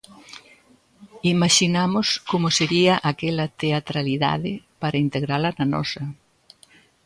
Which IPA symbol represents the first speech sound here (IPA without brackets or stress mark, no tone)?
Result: i